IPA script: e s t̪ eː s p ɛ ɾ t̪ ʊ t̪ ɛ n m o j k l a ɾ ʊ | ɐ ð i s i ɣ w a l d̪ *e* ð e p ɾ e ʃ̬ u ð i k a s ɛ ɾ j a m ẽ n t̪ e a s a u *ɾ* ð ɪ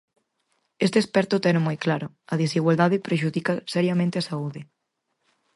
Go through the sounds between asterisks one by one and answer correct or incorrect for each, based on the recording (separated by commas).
incorrect, incorrect